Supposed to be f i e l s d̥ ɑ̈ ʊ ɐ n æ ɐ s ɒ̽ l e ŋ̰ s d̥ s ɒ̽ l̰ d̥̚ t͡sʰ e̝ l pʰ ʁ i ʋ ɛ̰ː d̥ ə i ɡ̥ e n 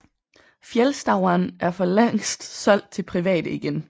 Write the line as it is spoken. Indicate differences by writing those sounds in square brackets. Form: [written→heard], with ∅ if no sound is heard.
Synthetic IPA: f [i→j] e l s d̥ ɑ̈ ʊ ɐ n æ ɐ [s→f] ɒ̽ l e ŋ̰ s d̥ s ɒ̽ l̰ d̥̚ t͡sʰ e̝ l pʰ ʁ i ʋ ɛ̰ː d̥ ə i ɡ̥ e n